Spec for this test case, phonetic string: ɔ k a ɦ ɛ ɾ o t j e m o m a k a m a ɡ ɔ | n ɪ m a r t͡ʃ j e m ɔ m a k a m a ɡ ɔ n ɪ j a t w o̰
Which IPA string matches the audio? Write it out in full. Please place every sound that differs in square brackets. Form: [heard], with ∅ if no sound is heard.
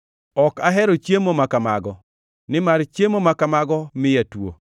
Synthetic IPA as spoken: ɔ k a ɦ ɛ ɾ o [t͡ʃ] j e m o m a k a m a ɡ ɔ | n ɪ m a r t͡ʃ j e m [o] m a k a m a ɡ ɔ [m] ɪ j a t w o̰